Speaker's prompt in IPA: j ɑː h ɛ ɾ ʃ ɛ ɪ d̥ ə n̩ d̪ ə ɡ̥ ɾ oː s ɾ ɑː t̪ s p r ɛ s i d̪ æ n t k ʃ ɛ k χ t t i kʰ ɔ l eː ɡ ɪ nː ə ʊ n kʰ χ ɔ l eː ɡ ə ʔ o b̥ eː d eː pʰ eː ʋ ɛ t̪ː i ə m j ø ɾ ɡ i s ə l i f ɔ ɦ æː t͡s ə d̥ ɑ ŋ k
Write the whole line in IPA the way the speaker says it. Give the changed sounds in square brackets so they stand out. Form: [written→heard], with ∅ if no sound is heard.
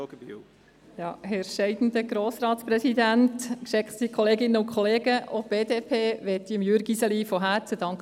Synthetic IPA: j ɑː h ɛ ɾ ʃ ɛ ɪ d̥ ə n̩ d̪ ə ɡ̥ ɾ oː s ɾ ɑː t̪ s p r ɛ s i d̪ æ n t k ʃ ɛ k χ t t i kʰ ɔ l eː ɡ ɪ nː ə ʊ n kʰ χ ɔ l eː ɡ ə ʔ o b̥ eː d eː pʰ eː ʋ ɛ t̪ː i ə m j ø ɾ ɡ i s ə l i f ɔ ɦ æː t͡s ə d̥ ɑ ŋ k

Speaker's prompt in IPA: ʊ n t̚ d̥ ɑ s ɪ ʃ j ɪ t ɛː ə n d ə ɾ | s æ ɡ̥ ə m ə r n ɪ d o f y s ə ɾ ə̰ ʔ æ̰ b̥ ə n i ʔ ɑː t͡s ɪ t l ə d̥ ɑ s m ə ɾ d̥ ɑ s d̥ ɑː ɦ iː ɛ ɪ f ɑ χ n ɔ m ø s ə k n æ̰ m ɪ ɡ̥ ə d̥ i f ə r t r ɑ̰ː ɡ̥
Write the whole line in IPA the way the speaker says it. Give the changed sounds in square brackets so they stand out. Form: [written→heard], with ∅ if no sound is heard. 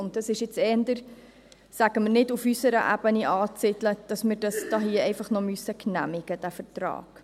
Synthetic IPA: ʊ n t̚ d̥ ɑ s ɪ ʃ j ɪ [t→t͡s] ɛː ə n d ə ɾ | s æ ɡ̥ ə m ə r n ɪ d [o→u] f y s ə ɾ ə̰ ʔ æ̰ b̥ ə n i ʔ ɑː t͡s ɪ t l ə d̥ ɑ s m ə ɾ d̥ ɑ s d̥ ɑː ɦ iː ɛ ɪ f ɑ χ n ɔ m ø s ə k n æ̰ m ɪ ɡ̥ ə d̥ [i→æ] f ə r t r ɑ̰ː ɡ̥

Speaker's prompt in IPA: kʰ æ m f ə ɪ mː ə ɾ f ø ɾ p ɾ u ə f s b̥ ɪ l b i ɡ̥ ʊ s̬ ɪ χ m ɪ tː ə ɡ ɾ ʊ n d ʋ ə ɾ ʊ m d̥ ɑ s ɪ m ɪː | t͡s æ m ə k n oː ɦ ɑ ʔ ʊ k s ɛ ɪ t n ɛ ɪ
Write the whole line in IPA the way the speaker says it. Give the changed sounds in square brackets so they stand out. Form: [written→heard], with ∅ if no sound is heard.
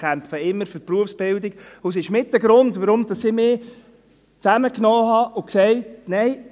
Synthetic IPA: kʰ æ m f ə ɪ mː ə ɾ f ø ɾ p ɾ u ə f s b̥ ɪ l [b→d] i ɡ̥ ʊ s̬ ɪ [χ→ʃ] m ɪ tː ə ɡ ɾ ʊ n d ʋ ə ɾ ʊ m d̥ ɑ s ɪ m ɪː | t͡s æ m ə k n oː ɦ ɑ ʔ ʊ k s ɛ ɪ t n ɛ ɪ

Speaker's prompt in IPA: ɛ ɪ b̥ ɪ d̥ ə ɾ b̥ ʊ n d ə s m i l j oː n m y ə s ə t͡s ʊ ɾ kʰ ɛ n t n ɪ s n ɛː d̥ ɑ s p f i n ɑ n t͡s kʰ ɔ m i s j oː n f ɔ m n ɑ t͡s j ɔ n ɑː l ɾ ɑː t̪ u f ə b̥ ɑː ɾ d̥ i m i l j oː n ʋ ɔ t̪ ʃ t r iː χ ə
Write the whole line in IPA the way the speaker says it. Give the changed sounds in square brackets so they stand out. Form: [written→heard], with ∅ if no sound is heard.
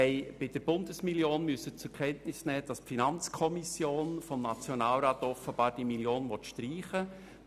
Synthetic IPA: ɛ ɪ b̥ ɪ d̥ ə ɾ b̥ ʊ n d ə s m i l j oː n m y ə s ə t͡s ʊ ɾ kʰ ɛ n t n ɪ s n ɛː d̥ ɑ s p f i n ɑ n t͡s kʰ ɔ m i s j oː n f ɔ m n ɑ t͡s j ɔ n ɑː l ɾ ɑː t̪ [u→ɔ] f ə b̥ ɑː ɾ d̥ i m i l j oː n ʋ ɔ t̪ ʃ t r iː χ ə

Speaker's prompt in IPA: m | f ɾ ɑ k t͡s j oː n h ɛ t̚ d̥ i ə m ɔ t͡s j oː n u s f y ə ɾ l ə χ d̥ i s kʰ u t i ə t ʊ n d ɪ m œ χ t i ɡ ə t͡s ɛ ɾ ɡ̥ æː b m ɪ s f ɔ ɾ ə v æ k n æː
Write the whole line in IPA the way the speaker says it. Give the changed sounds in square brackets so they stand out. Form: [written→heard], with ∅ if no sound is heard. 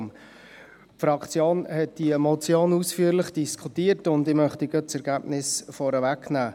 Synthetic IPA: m | f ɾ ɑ k t͡s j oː n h ɛ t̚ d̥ i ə m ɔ t͡s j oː n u s f y ə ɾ l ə χ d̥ i s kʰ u t i ə t ʊ n d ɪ m œ χ t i ɡ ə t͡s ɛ ɾ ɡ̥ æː b [m→n] ɪ s f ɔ ɾ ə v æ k n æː

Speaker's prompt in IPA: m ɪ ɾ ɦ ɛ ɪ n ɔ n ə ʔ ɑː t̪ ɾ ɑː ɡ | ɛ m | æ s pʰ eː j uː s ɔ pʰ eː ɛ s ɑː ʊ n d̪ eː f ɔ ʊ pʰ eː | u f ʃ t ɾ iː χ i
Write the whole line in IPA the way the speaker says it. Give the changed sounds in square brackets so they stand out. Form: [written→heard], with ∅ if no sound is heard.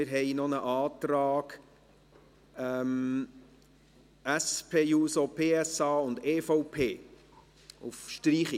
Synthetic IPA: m ɪ ɾ ɦ ɛ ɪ n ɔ n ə ʔ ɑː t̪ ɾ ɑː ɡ | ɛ m | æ s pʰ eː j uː s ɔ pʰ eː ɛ s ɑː ʊ n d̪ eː f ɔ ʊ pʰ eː | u f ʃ t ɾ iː χ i

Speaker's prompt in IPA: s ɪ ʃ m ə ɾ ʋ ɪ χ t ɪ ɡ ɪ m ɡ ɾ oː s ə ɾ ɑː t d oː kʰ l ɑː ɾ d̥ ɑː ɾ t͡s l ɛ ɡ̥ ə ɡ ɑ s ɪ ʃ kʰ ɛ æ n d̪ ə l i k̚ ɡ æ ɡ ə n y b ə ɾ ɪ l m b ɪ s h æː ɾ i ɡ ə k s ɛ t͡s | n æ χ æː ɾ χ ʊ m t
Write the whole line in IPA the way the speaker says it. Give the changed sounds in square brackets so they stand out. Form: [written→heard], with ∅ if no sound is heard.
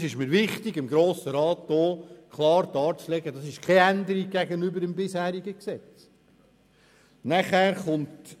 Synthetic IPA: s ɪ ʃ m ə ɾ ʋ ɪ χ t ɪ ɡ ɪ m ɡ ɾ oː s ə ɾ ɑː t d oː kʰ l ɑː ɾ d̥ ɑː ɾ t͡s l ɛ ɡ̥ ə [ɡ→d] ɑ s ɪ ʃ kʰ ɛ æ n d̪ ə [l→ɾ] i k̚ ɡ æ ɡ ə n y b ə ɾ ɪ [l→∅] m b ɪ s h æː ɾ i ɡ ə k s ɛ t͡s | n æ χ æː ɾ χ ʊ [m→n] t

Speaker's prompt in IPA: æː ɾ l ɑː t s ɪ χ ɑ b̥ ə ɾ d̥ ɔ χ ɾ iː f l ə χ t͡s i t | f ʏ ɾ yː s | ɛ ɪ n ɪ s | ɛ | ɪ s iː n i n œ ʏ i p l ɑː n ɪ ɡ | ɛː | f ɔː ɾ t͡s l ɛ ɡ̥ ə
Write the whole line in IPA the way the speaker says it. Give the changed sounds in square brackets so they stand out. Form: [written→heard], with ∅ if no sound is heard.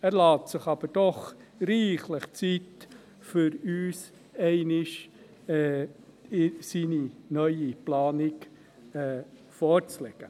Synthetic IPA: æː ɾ l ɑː t s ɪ χ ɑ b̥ ə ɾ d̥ ɔ χ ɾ iː [f→χ] l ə χ t͡s i t | f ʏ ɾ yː s | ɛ ɪ n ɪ [s→ʃ] | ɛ | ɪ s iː n i n œ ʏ i p l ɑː n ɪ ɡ | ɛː | f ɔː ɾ t͡s l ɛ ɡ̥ ə

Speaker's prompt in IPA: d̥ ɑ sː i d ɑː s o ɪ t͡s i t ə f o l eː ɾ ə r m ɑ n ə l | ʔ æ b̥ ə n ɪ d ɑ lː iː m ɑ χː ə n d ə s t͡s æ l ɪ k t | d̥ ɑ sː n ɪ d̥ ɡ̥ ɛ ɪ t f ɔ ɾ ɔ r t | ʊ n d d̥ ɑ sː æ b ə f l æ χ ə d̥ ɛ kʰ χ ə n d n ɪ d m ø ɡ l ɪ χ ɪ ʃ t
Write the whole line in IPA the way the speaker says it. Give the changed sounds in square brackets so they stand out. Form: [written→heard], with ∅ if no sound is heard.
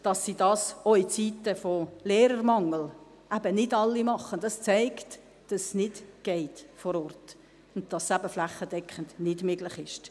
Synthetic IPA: d̥ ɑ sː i d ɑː s o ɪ t͡s i t ə f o l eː ɾ ə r m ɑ [n→ŋ] ə l | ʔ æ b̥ ə n ɪ d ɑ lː [iː→i] m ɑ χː ə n d [ə→ɑ] s t͡s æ [l→∅] ɪ k t | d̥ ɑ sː n ɪ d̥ ɡ̥ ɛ ɪ t f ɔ ɾ ɔ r t | ʊ n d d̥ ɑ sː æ b ə f l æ χ ə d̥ ɛ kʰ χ ə n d n ɪ d m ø ɡ l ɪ χ ɪ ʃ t

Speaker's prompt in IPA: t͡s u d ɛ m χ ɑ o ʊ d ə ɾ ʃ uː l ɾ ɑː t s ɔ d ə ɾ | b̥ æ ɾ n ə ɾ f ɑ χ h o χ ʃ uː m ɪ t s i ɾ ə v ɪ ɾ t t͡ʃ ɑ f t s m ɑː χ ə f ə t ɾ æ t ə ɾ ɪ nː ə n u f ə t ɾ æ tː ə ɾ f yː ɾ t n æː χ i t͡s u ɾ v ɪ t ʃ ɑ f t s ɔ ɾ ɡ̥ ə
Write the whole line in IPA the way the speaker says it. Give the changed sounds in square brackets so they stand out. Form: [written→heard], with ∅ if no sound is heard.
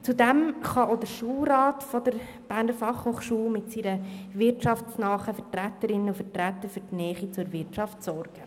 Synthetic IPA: t͡s u d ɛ m χ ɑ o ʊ d ə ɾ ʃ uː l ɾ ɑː t [s→f] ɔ d ə ɾ | b̥ æ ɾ n ə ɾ f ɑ χ h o χ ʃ uː m ɪ t s i ɾ ə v ɪ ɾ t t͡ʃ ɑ f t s [m→n] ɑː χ ə f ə t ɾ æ t ə ɾ ɪ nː ə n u f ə t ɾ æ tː ə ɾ f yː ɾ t n [æː→ɛː] χ i t͡s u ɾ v ɪ t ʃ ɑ f t s ɔ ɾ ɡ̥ ə

